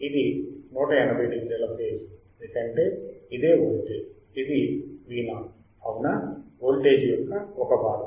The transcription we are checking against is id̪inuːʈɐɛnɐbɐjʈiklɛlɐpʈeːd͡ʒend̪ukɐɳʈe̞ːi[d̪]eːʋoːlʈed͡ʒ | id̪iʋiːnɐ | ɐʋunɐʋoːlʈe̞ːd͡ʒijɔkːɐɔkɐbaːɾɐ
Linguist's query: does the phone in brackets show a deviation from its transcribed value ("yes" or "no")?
no